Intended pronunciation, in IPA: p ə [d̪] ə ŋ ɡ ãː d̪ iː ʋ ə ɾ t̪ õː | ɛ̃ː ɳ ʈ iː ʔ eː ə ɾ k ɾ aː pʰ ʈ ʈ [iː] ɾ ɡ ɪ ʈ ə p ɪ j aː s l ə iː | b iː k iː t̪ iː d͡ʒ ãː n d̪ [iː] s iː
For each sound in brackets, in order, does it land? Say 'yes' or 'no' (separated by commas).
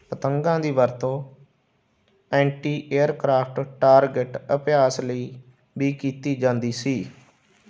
no, no, yes